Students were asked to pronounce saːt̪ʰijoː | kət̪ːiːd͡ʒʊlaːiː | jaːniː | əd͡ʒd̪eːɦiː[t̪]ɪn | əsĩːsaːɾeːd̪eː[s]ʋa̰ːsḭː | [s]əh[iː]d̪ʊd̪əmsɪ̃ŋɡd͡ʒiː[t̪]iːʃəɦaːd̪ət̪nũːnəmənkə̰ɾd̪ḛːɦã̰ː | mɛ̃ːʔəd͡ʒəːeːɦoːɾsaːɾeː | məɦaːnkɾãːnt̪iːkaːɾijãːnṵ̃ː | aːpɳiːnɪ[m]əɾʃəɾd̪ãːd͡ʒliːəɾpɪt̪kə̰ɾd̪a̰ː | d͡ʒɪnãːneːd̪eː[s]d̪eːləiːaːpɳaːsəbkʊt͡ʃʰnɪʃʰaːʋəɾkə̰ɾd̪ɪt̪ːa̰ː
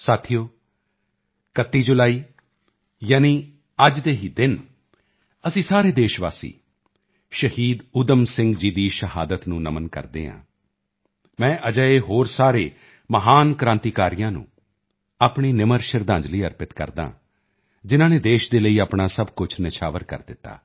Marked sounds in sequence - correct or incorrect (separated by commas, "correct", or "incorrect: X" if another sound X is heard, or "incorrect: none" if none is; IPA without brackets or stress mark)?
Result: incorrect: d̪, incorrect: ʃ, incorrect: ʃ, correct, incorrect: d̪, correct, incorrect: ʃ